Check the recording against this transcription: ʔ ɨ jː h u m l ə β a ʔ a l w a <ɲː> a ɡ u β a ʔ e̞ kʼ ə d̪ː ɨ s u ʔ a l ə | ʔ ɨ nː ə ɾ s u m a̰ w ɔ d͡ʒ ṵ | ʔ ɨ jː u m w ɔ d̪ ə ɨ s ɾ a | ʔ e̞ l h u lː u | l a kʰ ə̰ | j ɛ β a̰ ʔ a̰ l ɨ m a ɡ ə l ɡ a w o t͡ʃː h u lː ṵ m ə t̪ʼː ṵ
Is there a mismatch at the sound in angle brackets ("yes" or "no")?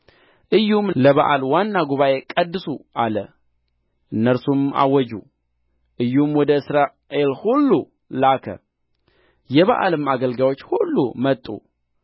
yes